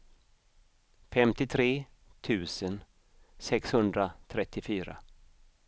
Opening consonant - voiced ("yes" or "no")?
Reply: no